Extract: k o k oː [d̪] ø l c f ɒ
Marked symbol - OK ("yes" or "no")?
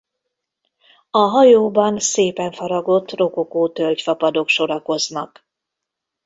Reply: no